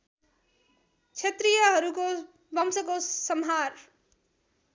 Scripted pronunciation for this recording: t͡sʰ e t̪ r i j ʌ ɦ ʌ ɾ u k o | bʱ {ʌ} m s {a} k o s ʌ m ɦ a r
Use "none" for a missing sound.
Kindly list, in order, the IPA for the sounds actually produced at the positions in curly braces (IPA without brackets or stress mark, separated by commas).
ʌ, ʌ